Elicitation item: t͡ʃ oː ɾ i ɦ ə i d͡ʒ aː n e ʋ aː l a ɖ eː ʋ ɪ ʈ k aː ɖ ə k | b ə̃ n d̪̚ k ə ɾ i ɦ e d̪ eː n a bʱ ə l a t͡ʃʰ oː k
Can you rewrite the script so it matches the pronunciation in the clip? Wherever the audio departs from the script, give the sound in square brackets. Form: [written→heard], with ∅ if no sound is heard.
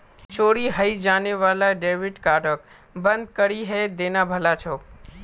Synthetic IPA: t͡ʃ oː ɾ i ɦ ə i d͡ʒ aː n e ʋ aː l a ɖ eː ʋ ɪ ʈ k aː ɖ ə k | b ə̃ n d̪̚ k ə ɾ i ɦ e d̪ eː n a bʱ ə l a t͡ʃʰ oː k